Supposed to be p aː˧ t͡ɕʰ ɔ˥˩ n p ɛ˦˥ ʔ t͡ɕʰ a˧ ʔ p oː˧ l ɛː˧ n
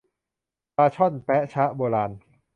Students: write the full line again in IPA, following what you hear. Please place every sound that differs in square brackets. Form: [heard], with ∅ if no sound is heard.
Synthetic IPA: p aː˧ t͡ɕʰ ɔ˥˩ n p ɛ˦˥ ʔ t͡ɕʰ [a˦˥] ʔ [b] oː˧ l [aː˧] n